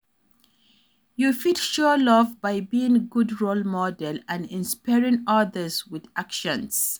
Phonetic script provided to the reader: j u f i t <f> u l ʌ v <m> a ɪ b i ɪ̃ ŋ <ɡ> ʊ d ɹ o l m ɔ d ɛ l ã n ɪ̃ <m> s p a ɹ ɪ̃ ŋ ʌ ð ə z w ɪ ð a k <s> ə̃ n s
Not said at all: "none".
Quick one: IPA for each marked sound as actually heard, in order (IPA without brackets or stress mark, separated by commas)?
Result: ʃ, b, ɡ, n, ʃ